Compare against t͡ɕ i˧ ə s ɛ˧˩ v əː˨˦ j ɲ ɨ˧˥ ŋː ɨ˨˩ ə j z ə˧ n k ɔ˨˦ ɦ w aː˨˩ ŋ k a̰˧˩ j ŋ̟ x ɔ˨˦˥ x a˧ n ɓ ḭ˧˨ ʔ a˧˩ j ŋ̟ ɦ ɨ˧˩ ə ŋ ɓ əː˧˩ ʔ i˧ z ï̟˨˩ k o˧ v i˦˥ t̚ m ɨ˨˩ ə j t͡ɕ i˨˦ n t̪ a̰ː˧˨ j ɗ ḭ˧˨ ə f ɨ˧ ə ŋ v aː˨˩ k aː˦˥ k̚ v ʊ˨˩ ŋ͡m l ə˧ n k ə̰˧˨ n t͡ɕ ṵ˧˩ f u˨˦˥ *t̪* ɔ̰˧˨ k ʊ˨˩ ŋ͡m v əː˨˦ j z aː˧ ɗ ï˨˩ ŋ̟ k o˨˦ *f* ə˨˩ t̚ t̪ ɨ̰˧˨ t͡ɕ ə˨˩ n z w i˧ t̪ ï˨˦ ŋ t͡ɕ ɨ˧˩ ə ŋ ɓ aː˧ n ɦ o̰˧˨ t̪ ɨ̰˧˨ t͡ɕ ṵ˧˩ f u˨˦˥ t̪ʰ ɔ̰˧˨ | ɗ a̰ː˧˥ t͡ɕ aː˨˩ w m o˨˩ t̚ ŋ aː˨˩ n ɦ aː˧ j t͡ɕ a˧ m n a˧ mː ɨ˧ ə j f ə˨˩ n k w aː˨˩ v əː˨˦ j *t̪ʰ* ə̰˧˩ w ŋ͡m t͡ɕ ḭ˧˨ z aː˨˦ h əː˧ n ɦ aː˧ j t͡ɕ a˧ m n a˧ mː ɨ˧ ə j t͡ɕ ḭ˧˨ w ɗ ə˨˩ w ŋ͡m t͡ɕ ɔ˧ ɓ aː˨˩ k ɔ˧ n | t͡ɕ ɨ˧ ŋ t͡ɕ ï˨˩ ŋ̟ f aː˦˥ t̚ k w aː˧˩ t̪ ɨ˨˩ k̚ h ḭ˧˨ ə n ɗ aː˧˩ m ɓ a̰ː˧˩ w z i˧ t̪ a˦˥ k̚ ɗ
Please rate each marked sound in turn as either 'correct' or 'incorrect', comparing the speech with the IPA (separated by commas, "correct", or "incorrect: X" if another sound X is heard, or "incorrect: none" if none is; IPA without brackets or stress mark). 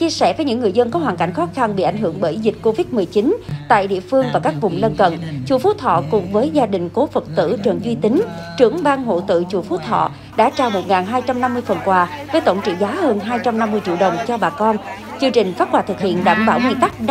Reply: incorrect: t̪ʰ, correct, incorrect: t̪